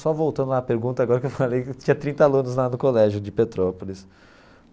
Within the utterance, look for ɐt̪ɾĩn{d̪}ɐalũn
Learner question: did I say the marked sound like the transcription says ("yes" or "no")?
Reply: no